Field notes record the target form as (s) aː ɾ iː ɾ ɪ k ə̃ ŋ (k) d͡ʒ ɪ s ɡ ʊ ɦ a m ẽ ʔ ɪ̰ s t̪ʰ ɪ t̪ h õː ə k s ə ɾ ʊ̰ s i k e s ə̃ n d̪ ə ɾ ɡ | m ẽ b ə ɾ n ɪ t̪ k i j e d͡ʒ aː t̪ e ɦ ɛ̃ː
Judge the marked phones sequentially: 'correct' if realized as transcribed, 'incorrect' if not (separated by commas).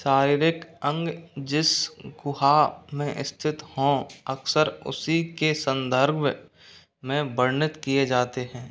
incorrect, incorrect